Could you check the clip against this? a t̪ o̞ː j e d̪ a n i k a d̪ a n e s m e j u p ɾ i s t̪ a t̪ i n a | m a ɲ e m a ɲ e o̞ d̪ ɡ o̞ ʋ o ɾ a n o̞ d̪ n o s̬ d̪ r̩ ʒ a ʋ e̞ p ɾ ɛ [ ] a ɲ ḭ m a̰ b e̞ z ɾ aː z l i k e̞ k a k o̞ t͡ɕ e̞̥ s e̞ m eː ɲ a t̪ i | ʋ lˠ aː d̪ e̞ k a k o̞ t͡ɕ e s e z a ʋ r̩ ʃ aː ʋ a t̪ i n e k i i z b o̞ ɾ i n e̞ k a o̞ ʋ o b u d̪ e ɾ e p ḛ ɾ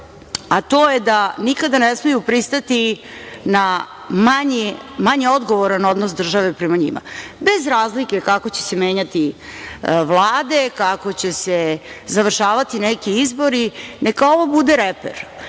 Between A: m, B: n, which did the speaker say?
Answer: A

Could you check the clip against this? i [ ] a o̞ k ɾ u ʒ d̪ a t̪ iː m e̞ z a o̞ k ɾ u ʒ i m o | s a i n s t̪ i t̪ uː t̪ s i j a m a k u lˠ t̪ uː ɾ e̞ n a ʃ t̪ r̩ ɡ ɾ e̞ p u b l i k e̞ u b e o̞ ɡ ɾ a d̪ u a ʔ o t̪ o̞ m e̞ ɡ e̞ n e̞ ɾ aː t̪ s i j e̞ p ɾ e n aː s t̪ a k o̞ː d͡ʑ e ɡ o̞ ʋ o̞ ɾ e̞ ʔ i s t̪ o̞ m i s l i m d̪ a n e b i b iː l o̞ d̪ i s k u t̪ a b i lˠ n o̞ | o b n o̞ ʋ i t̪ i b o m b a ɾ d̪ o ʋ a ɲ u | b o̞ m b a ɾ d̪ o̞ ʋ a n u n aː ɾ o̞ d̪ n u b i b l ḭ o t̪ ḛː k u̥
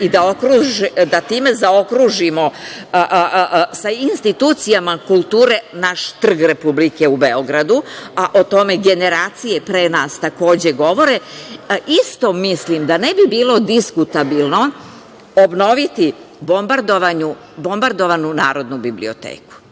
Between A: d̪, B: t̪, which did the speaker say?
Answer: A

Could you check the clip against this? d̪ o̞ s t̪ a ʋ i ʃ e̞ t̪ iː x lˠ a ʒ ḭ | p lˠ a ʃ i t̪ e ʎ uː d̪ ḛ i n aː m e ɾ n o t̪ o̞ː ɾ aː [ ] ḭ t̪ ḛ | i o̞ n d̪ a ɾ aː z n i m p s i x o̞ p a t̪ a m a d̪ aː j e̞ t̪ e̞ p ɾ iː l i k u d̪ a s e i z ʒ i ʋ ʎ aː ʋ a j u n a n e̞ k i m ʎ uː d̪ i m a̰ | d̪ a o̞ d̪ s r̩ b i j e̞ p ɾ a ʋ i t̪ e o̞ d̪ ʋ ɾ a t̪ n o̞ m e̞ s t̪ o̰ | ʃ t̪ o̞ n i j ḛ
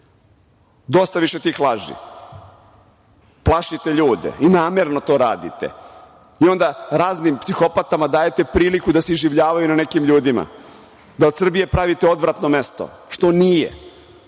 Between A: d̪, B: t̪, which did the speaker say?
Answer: A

